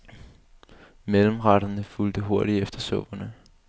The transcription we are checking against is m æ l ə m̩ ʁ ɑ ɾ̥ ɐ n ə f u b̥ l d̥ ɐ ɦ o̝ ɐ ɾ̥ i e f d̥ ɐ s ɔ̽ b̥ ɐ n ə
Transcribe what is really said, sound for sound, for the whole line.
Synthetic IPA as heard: m e l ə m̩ ʁ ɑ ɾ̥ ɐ n ə f u l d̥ ə ɦ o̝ ɐ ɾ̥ i e f d̥ ɐ s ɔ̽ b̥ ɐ n ə